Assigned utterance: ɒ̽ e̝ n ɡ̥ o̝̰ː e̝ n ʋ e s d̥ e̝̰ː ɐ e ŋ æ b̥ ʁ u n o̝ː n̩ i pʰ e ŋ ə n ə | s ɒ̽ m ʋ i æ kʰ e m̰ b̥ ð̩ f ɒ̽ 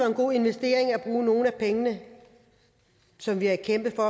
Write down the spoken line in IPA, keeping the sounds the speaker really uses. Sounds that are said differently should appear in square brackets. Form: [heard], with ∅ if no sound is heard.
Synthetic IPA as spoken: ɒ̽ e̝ n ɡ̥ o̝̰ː e̝ n ʋ e s d̥ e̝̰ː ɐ e ŋ æ b̥ ʁ [uː] n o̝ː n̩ [æ] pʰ e ŋ ə n ə | s ɒ̽ m ʋ i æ kʰ e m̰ b̥ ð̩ f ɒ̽